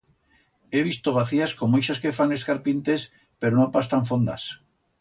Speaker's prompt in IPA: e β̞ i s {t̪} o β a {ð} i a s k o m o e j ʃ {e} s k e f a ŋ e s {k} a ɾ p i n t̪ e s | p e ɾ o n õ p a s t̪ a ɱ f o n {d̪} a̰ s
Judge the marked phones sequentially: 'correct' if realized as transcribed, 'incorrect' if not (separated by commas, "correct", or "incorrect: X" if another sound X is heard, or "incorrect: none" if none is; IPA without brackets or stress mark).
correct, incorrect: θ, incorrect: a, correct, correct